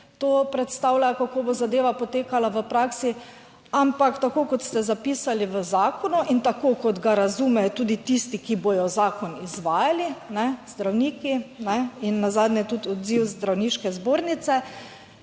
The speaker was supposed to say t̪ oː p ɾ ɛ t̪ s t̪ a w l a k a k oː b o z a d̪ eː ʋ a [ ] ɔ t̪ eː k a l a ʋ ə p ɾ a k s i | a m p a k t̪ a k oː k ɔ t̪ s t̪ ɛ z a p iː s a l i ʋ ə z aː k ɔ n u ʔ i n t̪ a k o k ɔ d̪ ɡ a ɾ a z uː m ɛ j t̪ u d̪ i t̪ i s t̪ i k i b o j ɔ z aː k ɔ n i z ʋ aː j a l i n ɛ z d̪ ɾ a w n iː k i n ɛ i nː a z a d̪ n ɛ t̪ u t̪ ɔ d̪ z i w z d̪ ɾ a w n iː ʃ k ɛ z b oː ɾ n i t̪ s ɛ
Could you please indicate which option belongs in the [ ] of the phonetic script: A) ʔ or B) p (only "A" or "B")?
B